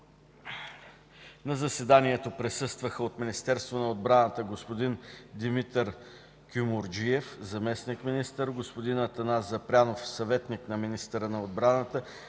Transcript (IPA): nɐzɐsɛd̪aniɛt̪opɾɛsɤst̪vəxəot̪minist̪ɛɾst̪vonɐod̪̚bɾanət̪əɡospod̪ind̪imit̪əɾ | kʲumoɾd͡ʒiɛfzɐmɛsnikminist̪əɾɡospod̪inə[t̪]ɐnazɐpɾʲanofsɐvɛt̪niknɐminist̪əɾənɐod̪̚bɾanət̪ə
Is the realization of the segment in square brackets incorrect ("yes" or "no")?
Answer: no